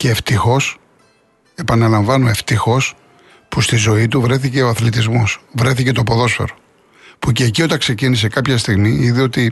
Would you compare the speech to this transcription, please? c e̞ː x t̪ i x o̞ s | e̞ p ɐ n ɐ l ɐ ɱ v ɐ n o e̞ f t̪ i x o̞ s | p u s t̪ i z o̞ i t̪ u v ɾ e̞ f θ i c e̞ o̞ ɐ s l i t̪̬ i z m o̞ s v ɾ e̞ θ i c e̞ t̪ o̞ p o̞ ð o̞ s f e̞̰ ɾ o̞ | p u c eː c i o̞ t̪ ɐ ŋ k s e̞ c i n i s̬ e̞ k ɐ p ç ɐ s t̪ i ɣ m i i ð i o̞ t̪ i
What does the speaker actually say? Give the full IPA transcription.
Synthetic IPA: c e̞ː f t̪ i x o̞ s | e̞ p ɐ n ɐ l ɐ ɱ v ɐ n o e̞ f t̪ i x o̞ s | p u s t̪ i z o̞ i t̪ u v ɾ e̞ θ i c e̞ o̞ ɐ θ l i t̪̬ i z m o̞ s v ɾ e̞ θ i c e̞ t̪ o̞ p o̞ ð o̞ s f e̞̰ ɾ o̞ | p u c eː c i o̞ t̪ ɐ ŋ k s e̞ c i n i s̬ e̞ k ɐ p ç ɐ s t̪ i ɣ m i i ð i o̞ t̪ i